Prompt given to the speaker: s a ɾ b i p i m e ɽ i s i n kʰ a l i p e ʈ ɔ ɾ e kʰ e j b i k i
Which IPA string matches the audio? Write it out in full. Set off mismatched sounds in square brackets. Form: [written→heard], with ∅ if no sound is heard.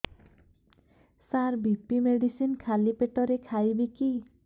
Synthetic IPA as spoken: s a ɾ b i p i m e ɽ i s i n kʰ a l i p e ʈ ɔ ɾ e kʰ [e→a] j b i k i